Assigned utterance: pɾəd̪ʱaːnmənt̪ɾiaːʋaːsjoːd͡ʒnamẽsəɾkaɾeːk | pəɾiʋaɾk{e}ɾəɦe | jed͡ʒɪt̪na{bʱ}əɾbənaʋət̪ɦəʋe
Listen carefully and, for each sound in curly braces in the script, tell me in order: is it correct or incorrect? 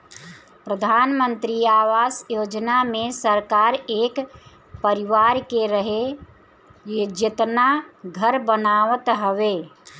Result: correct, incorrect: ɡʱ

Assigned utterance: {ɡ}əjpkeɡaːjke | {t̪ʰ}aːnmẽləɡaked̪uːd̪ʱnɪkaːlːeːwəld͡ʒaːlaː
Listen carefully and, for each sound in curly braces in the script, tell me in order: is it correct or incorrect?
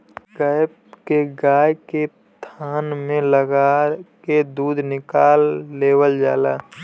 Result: correct, correct

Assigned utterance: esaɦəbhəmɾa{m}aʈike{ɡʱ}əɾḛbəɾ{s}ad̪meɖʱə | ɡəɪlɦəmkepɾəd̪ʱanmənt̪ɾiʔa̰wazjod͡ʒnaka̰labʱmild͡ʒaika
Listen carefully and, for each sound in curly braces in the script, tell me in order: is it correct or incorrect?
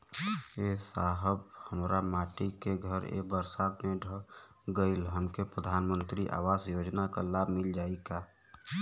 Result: correct, correct, correct

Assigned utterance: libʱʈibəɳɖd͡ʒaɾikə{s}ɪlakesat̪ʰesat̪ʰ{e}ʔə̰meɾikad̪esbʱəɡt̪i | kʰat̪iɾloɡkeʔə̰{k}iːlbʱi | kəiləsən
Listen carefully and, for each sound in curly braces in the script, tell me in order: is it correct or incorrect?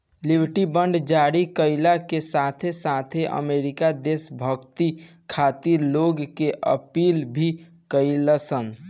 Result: incorrect: none, correct, incorrect: p

